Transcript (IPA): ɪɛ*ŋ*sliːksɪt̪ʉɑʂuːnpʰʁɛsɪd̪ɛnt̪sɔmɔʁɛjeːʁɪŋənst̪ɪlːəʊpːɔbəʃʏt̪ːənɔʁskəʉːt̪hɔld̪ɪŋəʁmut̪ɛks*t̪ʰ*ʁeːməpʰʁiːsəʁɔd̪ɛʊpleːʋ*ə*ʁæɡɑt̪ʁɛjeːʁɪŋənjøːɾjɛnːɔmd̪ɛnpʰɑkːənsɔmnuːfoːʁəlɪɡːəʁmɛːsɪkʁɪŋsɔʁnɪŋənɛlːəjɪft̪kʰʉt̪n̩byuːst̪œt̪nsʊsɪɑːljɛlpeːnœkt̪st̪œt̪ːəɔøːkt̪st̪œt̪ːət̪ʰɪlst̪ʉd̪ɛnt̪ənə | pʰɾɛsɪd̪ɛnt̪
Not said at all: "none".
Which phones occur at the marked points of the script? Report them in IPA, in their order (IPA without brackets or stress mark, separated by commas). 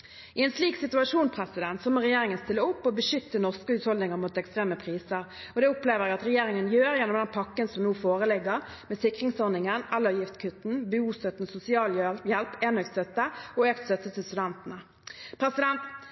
n, t̪, ə